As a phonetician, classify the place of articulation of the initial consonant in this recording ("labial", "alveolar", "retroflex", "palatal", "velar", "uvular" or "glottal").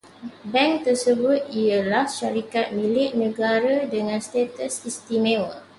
labial